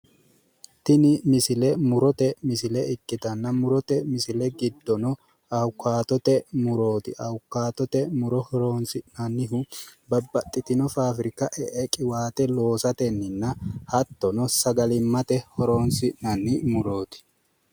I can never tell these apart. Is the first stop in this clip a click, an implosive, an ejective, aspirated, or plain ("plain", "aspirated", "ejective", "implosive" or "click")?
plain